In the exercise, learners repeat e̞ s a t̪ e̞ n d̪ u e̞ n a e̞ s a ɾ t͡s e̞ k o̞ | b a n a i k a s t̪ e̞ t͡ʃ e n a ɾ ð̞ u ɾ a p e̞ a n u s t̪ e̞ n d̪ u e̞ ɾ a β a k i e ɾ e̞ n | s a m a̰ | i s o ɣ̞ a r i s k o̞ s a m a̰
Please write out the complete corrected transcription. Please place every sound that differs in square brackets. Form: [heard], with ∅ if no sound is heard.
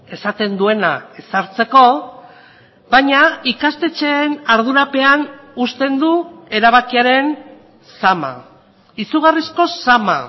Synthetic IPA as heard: e̞ s a t̪ e̞ n d̪ u e̞ n a e̞ s a ɾ t͡s e̞ k o̞ | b a [ɲ] a i k a s t̪ e̞ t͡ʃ e n a ɾ ð̞ u ɾ a p e̞ a n u s t̪ e̞ n d̪ u e̞ ɾ a β a k i [a] ɾ e̞ n | s a m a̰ | i s [u] ɣ̞ a r i s k o̞ s a m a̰